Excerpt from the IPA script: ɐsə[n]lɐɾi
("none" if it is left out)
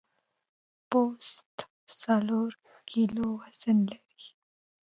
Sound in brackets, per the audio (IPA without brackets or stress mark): n